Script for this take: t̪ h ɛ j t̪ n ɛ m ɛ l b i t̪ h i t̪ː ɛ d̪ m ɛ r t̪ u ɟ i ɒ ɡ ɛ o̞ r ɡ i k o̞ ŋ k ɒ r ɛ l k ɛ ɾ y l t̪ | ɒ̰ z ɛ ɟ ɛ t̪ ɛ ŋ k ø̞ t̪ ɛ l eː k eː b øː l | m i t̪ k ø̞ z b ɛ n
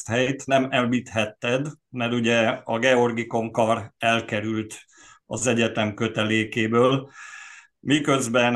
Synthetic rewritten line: t̪ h ɛ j t̪ n ɛ m ɛ l b i t̪ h ɛ t̪ː ɛ d̪ m ɛ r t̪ u ɟ ɛ ɒ ɡ ɛ o̞ r ɡ i k o̞ ŋ k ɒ r ɛ l k ɛ ɾ y l t̪ | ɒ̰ z ɛ ɟ ɛ t̪ ɛ m k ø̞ t̪ ɛ l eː k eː b øː l | m i k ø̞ z b ɛ n